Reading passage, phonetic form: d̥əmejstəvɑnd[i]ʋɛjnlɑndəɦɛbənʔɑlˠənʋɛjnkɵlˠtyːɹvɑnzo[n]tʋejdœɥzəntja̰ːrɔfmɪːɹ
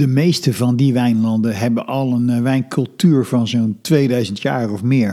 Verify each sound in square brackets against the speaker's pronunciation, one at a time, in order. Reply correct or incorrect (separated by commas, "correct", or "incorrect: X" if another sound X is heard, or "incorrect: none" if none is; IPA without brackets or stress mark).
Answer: correct, correct